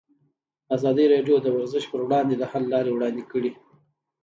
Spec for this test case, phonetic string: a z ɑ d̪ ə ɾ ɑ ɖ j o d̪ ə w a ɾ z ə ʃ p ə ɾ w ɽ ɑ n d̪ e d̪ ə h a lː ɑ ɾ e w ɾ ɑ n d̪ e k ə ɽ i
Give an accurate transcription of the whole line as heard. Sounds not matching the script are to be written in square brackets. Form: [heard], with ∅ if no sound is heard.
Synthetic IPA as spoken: a z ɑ d̪ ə ɾ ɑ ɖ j o d̪ ə w a ɾ z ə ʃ p ə ɾ w ɽ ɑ n d̪ e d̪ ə h a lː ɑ ɾ e w [ɽ] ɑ n d̪ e k ə ɽ i